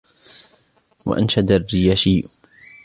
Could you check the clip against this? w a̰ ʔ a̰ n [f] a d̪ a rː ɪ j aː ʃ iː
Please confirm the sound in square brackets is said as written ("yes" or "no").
no